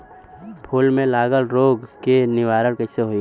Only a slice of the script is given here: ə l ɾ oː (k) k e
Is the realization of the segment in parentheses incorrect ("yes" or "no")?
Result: yes